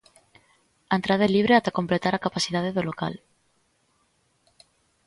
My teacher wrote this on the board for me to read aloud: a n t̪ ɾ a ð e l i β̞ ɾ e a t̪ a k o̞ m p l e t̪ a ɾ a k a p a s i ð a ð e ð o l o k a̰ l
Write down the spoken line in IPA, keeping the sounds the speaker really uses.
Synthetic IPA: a n t̪ ɾ a ð e l i β̞ ɾ e a t̪ a k o̞ m p l e t̪ a ɾ a k a p a s i ð a ð e ð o l o k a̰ l